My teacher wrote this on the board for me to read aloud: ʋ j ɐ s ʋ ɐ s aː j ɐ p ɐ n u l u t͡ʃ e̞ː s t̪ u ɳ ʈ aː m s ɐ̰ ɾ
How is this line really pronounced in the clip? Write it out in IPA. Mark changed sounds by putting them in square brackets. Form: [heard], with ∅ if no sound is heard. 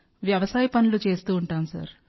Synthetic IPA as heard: ʋ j ɐ [∅] ʋ ɐ s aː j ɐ p ɐ n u l u t͡ʃ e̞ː s t̪ [uː] ɳ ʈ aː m s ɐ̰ ɾ